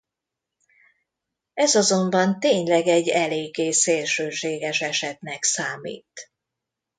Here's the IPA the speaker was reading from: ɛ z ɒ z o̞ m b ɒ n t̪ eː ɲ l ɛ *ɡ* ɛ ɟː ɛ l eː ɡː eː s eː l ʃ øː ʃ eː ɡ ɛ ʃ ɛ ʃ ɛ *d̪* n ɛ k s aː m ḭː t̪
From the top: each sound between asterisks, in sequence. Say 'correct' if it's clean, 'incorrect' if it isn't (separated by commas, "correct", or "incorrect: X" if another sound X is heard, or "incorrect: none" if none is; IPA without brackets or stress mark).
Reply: correct, incorrect: t̪